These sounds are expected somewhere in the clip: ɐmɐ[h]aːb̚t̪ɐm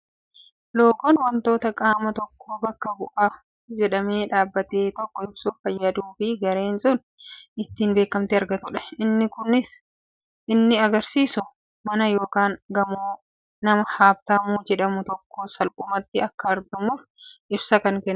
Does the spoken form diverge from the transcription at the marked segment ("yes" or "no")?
no